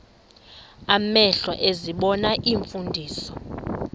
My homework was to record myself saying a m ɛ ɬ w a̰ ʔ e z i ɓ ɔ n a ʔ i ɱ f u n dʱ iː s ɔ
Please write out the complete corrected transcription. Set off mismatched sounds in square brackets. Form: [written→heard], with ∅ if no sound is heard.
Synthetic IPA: a m ɛ ɬ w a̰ ʔ e z i ɓ ɔ n a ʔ i ɱ f u n dʱ iː s ɔ